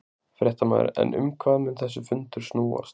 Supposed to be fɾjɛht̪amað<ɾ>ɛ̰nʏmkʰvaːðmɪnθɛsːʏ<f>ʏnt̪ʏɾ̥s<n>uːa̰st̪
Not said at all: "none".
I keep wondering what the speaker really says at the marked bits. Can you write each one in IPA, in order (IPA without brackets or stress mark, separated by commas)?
ɾ, f, n